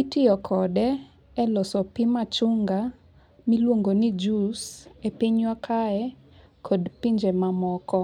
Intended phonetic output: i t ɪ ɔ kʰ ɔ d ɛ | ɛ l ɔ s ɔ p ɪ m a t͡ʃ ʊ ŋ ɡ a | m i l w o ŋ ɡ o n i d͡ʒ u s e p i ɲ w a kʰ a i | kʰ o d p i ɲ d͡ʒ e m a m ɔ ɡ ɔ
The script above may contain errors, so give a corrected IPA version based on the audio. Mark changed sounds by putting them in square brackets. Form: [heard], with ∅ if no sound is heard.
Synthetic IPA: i t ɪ ɔ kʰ ɔ d ɛ | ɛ l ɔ s ɔ p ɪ m a t͡ʃ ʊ ŋ ɡ a | m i l w o ŋ ɡ o n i d͡ʒ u s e p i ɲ w a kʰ a [ɛ] | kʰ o d p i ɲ d͡ʒ e m a m ɔ [k] ɔ